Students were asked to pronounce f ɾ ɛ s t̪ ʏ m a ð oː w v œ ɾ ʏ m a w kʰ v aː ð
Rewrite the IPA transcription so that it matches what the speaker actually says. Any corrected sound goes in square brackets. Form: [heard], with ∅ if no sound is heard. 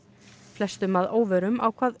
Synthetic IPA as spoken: f [l] ɛ s t̪ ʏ m a ð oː w v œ ɾ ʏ m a w kʰ v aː ð